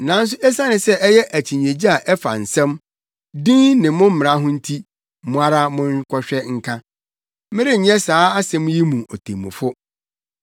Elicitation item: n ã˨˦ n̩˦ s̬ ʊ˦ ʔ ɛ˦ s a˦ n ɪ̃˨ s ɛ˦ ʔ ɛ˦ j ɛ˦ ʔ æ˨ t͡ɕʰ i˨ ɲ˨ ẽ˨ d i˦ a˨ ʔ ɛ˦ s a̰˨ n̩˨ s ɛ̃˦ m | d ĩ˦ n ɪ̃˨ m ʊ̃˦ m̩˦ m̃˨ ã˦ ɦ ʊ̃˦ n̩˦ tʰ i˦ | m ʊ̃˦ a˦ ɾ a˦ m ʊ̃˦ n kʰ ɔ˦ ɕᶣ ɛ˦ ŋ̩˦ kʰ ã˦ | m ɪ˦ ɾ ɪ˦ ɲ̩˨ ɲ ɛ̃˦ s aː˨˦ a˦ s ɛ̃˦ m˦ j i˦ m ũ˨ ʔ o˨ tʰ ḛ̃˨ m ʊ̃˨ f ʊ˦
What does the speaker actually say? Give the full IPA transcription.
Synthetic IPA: n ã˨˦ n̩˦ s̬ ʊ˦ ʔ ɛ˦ s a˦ n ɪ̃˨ s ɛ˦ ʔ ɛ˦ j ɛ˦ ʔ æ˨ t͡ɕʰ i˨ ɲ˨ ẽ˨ d͡ʑ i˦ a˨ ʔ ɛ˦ f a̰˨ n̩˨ s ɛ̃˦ m | d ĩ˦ n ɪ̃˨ m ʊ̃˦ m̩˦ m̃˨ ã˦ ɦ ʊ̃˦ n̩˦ tʰ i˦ | m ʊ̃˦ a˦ ɾ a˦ m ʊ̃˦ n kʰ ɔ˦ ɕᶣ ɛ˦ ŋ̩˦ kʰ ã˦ | m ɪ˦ ɾ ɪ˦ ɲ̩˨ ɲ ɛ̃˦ s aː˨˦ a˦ s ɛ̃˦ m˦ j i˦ m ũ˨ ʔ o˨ tʰ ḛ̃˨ m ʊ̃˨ f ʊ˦